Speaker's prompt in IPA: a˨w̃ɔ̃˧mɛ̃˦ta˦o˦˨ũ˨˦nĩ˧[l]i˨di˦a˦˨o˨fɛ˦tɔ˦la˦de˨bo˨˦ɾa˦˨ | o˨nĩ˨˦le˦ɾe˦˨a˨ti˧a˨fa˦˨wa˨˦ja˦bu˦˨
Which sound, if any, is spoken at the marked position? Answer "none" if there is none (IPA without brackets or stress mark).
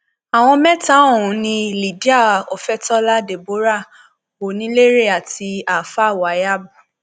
l